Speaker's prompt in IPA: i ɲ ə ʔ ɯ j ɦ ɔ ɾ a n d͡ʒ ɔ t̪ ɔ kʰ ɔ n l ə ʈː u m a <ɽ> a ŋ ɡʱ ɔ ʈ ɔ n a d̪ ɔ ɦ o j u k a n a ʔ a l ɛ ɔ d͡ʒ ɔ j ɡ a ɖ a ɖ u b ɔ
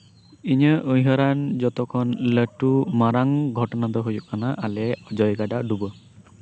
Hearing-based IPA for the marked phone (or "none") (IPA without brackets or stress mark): ɾ